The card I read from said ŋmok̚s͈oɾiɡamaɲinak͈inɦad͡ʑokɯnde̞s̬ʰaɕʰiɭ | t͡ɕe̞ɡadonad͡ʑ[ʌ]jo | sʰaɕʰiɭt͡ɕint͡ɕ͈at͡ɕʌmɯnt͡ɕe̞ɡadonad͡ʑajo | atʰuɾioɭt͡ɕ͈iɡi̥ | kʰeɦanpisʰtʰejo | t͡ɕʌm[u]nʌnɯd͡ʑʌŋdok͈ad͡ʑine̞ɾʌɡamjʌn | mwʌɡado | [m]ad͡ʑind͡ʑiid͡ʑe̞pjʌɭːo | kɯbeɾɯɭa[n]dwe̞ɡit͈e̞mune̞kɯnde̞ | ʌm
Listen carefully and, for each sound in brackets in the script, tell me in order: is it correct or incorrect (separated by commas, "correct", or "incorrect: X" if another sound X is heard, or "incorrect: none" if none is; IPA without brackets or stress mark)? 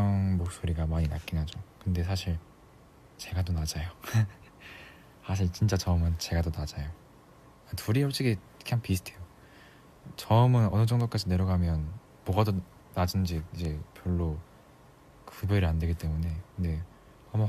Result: incorrect: a, incorrect: ɯ, incorrect: n, correct